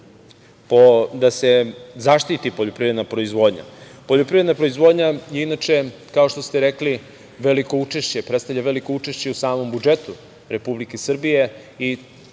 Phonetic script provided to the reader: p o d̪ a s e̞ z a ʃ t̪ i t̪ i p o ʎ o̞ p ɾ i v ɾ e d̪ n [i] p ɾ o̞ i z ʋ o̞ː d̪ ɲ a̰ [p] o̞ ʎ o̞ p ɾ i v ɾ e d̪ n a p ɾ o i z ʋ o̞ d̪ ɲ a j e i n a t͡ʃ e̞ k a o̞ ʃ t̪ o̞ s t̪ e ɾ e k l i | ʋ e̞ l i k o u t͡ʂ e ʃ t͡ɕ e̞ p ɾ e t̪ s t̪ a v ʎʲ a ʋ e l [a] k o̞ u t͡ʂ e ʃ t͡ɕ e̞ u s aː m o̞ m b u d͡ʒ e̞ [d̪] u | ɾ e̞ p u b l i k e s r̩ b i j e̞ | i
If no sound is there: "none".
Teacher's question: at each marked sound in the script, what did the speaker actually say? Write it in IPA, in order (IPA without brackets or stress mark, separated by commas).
a, p, i, t̪